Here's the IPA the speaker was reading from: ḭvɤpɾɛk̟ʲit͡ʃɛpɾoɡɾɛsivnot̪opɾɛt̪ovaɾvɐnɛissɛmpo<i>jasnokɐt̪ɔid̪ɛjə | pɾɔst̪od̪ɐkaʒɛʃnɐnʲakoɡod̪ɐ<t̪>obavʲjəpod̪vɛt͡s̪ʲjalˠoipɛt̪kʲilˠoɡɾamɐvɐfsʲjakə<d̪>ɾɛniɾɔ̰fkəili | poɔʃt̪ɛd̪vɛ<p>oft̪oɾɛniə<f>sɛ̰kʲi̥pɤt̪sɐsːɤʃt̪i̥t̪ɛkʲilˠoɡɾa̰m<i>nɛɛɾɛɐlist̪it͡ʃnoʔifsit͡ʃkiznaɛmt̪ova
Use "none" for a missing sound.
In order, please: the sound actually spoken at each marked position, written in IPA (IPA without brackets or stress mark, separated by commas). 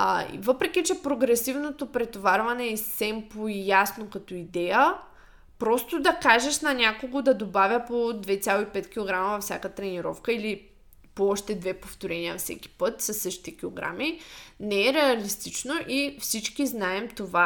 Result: i, d̪, t̪, p, f, i